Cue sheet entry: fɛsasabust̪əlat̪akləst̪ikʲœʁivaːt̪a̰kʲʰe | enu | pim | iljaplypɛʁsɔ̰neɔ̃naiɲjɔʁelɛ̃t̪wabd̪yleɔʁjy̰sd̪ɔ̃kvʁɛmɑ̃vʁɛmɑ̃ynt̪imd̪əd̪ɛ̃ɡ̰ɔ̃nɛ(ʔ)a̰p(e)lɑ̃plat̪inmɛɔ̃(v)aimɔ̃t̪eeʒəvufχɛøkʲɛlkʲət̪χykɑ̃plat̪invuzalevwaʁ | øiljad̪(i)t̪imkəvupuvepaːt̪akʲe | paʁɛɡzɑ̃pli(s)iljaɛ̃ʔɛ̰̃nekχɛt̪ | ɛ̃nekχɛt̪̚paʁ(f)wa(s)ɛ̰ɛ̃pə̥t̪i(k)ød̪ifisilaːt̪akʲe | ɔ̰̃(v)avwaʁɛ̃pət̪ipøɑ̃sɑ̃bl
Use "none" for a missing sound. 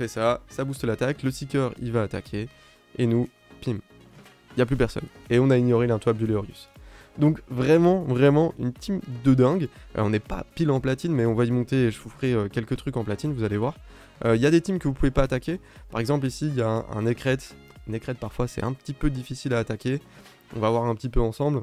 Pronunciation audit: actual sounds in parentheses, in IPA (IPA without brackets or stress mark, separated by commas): p, i, v, e, s, f, s, p, v